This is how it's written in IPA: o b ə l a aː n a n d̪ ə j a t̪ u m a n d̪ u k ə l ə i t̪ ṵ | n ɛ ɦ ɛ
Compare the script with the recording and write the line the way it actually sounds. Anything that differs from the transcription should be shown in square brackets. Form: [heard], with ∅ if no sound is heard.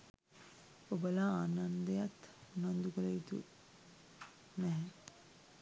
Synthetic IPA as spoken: o b ə l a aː n a n d̪ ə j a t̪ u [n] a n d̪ u k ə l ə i t̪ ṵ | n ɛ ɦ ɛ